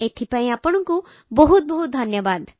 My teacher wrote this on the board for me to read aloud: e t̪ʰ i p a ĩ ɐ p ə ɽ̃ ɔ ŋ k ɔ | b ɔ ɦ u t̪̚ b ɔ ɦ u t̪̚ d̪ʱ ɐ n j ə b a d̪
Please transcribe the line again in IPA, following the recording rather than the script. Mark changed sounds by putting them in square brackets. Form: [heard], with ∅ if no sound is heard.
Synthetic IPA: e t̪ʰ i p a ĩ [a] p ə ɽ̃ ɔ ŋ k [u] | b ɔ ɦ u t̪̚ b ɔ ɦ u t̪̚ d̪ʱ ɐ n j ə b a d̪